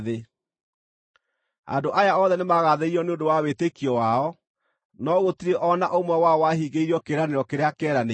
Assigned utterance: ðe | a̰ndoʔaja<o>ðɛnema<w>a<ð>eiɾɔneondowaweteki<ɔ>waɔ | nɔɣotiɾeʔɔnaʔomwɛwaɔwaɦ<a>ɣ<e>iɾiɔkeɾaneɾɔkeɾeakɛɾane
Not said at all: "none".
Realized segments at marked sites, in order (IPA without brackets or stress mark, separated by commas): ɔ, ɣ, ð, ɔ, i, e